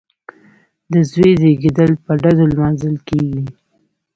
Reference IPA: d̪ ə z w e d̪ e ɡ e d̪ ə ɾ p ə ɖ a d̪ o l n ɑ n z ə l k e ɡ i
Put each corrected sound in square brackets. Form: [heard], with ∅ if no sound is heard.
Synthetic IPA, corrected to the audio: d̪ ə z w e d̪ e ɡ e d̪ ə [l] p ə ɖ a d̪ o l [m] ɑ n z ə l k e ɡ i